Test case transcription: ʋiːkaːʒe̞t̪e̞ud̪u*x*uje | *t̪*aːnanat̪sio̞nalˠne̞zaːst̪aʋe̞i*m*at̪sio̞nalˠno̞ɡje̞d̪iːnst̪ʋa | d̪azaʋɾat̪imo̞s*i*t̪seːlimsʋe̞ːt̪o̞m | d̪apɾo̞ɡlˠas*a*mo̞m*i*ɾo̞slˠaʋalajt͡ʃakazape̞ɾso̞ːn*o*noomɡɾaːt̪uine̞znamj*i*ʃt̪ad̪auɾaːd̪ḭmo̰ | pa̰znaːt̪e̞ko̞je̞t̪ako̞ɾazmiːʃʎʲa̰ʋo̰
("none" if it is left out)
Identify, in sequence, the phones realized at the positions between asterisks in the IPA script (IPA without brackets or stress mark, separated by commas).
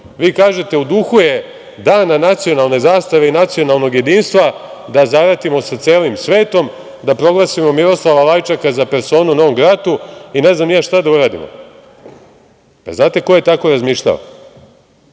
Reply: x, d̪, n, a, i, i, u, a